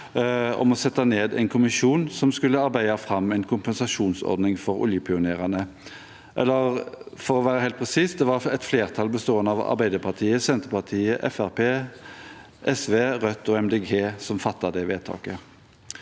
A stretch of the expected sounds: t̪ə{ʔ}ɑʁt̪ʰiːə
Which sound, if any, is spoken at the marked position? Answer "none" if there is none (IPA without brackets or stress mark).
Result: p